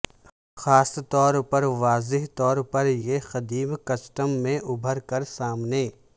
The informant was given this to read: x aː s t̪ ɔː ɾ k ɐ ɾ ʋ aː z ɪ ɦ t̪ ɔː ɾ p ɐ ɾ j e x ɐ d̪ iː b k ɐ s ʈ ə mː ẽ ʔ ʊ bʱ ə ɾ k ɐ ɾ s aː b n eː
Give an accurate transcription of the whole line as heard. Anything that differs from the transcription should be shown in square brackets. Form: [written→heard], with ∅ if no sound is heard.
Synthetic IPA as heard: x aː s t̪ ɔː ɾ [k→p] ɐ ɾ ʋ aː z ɪ ɦ t̪ ɔː ɾ p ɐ ɾ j e x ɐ d̪ iː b k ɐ s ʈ ə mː ẽ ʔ ʊ bʱ ə ɾ k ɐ ɾ s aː [b→m] n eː

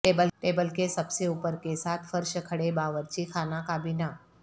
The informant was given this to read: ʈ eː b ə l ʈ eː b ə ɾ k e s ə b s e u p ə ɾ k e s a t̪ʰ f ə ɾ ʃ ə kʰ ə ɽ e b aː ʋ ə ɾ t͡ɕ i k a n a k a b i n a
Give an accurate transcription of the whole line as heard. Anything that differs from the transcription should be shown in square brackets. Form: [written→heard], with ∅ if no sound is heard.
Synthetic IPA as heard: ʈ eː b ə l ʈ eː b ə [ɾ→l] k e s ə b s e u p ə ɾ k e s a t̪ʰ f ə ɾ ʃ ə kʰ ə ɽ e b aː ʋ ə ɾ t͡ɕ i [k→kʰ] a n a k a b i n a

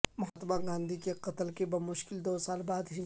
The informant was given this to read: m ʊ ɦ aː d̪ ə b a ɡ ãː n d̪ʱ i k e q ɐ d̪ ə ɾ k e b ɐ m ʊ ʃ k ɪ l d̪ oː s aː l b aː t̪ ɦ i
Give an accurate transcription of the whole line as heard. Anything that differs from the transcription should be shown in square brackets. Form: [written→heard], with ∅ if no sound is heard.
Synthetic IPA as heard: m ʊ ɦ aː [d̪→t̪] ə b a ɡ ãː n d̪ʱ i k e q ɐ [d̪→t̪] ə [ɾ→l] k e b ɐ m ʊ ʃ k ɪ l d̪ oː s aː l b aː [t̪→d̪] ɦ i

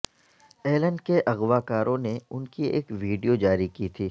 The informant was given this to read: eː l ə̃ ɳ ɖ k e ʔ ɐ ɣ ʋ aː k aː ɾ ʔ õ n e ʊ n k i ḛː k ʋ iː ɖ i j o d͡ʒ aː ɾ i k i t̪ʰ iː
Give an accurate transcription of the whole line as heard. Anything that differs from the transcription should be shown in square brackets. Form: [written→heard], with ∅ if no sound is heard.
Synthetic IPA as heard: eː l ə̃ ɳ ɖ k e ʔ ɐ ɣ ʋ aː k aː ɾ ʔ õ n e ʊ n k i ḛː k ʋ iː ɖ i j o d͡ʒ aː ɾ i k i t̪ʰ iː

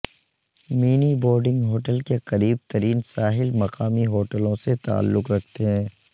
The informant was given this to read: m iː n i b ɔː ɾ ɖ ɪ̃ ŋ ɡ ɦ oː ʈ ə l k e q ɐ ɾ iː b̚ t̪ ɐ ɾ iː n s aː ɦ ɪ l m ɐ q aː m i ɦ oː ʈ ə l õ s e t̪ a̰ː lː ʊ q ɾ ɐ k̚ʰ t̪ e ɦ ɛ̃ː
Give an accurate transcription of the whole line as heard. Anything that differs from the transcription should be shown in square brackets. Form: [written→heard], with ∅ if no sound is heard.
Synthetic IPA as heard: m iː n i b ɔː ɾ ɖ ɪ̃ ŋ ɡ ɦ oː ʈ ə l k e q ɐ ɾ iː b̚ t̪ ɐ ɾ iː n s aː ɦ ɪ l m ɐ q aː m i ɦ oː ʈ ə l õ s e t̪ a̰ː lː ʊ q ɾ ɐ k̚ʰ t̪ e ɦ ɛ̃ː

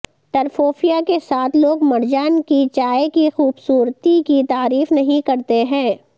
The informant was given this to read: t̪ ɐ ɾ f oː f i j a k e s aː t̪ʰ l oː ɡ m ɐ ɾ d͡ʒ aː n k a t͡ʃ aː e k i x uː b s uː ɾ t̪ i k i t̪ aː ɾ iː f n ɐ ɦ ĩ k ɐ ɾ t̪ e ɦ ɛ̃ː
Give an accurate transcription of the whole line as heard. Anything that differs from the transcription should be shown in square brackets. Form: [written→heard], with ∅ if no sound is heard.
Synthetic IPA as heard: t̪ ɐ ɾ f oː f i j a k e s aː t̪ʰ l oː ɡ m ɐ ɾ d͡ʒ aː n k [a→i] t͡ʃ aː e k i x uː b s uː ɾ t̪ i k i t̪ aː ɾ iː f n ɐ ɦ ĩ k ɐ ɾ t̪ e ɦ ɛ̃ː

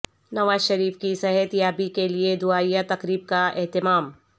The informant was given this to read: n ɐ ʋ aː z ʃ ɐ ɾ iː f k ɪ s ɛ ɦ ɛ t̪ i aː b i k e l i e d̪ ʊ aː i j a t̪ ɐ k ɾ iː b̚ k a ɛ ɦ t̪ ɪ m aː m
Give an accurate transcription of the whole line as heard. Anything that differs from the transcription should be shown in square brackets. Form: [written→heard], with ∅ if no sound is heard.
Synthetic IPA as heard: n ɐ ʋ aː z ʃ ɐ ɾ iː f k [ɪ→i] s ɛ ɦ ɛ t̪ [i→j] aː b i k e l i e d̪ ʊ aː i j a t̪ ɐ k ɾ iː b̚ k a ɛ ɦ t̪ ɪ m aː m

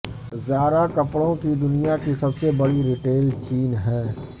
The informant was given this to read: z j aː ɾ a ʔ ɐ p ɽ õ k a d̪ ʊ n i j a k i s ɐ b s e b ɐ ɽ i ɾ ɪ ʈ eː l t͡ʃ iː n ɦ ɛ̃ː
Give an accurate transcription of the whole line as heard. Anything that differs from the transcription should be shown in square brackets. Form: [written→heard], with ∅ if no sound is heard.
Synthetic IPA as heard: z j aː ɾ a [ʔ→k] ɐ p ɽ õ k [a→i] d̪ ʊ n i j a k i s ɐ b s e b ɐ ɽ i ɾ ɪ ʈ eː l t͡ʃ iː n ɦ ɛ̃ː

